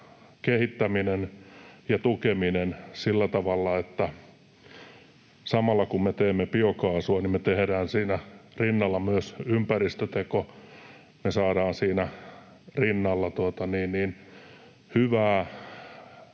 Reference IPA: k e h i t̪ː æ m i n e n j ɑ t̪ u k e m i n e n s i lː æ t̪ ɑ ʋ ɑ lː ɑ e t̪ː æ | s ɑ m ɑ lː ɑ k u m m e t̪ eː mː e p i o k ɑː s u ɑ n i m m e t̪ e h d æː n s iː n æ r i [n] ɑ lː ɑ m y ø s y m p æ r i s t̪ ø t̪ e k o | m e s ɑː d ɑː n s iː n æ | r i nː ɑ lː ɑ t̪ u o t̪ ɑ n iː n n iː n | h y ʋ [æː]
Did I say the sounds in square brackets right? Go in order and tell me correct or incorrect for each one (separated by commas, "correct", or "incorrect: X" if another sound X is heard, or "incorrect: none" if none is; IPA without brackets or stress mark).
incorrect: nː, correct